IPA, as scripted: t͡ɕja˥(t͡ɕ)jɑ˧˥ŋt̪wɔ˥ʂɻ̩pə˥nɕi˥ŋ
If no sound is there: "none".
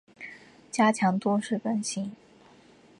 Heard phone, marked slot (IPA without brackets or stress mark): t͡ɕʰ